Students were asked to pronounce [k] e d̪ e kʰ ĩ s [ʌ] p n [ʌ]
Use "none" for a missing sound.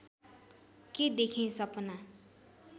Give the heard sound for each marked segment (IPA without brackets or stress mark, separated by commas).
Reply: k, ʌ, a